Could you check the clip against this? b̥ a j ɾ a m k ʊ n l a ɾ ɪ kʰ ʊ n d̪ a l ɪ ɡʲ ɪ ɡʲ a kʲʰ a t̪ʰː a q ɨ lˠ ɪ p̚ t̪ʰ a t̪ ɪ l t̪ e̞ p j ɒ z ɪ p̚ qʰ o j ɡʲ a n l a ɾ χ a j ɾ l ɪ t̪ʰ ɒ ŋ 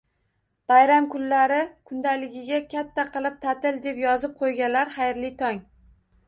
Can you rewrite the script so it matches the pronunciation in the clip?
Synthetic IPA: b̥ a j ɾ a m k ʊ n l a ɾ ɪ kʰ ʊ n d̪ a l ɪ ɡʲ ɪ ɡʲ a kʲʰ a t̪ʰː a q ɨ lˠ ɪ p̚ t̪ʰ a t̪ ɪ l d̪ e̞ p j ɒ z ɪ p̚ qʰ o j ɡʲ a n l a ɾ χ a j ɾ l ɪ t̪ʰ ɒ ŋ

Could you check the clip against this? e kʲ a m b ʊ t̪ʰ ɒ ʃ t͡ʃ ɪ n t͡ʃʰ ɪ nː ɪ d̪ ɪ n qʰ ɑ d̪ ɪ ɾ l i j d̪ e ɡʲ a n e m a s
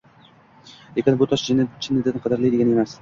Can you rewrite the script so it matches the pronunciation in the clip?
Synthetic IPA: e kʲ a n b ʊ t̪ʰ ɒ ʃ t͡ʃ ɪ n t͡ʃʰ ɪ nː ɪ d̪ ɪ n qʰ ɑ d̪ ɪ ɾ l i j d̪ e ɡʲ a n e m a s

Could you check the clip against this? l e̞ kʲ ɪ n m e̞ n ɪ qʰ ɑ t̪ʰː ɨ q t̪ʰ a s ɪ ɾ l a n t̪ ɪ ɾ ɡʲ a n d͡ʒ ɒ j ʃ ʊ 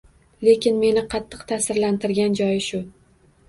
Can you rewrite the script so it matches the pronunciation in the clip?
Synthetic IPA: l e̞ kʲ ɪ n m e̞ n ɪ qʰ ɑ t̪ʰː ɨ q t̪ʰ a s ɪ ɾ l a n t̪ ɪ ɾ ɡʲ a n d͡ʒ ɒ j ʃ ʊ

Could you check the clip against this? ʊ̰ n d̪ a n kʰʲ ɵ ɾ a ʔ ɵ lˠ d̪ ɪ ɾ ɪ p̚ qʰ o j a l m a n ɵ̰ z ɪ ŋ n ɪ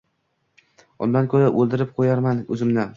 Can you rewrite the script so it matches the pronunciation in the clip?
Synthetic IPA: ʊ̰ n d̪ a n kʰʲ ɵ ɾ a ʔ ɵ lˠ d̪ ɪ ɾ ɪ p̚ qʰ o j a ɾ m a n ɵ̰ z ɪ m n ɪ

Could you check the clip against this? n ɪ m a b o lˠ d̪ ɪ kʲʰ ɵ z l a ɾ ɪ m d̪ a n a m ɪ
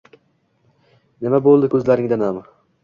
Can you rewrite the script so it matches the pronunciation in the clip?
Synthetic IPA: n ɪ m a b o lˠ d̪ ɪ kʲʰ ɵ z l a ɾ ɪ ŋ d̪ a n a m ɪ

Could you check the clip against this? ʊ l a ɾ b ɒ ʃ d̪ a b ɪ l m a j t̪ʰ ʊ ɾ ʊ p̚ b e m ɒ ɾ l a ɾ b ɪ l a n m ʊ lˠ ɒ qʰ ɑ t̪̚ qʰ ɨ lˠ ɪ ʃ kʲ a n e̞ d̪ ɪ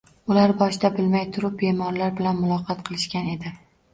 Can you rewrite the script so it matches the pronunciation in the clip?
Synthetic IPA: ʊ l a ɾ b ɒ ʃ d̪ a b ɪ l m a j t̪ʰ ʊ ɾ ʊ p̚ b e m ɒ ɾ l a ɾ b ɪ l a n m ʊ lˠ ɒ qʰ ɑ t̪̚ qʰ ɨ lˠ ɪ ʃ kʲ a n e̞ d̪ ɪ

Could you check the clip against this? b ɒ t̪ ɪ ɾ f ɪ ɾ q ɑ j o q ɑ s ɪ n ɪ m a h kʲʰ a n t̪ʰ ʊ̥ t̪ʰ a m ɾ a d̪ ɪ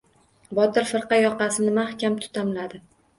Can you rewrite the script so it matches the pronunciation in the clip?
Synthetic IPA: b ɒ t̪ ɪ ɾ f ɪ ɾ q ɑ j ɒ q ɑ s ɪ n ɪ m a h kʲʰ a m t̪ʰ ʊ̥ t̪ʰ a m l a d̪ ɪ

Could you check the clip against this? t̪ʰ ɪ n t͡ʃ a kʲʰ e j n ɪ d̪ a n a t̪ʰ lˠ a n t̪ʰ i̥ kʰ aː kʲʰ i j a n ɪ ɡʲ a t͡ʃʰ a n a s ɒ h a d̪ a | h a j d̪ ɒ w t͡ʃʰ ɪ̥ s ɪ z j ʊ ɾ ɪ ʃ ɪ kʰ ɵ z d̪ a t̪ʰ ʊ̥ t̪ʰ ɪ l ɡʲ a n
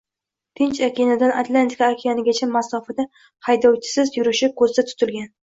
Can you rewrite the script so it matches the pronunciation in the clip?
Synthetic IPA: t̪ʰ ɪ n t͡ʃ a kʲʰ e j n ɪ d̪ a n a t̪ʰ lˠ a n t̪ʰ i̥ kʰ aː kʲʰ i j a n ɪ ɡʲ a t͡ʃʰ a m a s ɒ f a d̪ a | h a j d̪ ɒ w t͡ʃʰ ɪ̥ s ɪ z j ʊ ɾ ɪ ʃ ɪ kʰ ɵ z d̪ a t̪ʰ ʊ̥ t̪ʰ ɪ l ɡʲ a n

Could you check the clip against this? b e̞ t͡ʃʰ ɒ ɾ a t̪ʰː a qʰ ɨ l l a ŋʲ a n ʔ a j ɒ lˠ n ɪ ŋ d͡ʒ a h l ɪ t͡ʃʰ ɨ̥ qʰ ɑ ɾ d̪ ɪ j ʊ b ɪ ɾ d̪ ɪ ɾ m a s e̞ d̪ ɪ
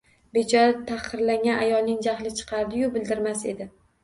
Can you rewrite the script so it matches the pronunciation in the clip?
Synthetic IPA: b e̞ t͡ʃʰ ɒ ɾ a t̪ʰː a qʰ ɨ ɾ l a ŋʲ a n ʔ a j ɒ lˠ n ɪ ŋ d͡ʒ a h l ɪ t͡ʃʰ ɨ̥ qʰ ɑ ɾ d̪ ɪ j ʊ b ɪ l d̪ ɪ ɾ m a s e̞ d̪ ɪ

